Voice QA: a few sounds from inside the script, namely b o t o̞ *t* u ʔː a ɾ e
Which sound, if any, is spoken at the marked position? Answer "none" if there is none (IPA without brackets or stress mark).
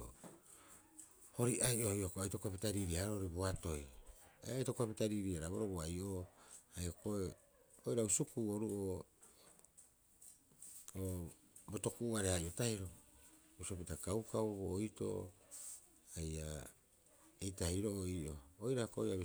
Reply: k